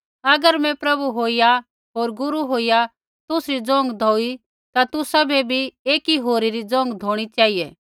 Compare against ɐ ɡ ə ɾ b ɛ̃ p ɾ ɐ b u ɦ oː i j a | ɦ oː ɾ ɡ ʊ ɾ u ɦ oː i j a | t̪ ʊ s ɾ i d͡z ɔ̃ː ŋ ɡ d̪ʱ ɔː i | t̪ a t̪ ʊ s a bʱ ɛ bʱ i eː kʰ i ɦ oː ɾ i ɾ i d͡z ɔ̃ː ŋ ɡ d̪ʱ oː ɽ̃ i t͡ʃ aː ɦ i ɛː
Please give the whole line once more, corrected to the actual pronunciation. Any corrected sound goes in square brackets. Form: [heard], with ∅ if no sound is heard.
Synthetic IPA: ɐ ɡ ə ɾ [m] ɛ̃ p ɾ ɐ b u ɦ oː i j a | ɦ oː ɾ ɡ ʊ ɾ u ɦ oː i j a | t̪ ʊ s ɾ i d͡z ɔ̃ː ŋ ɡ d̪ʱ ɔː i | t̪ a t̪ ʊ s a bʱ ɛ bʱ i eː [k] i ɦ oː ɾ i ɾ i d͡z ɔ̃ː ŋ ɡ d̪ʱ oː ɽ̃ i t͡ʃ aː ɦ i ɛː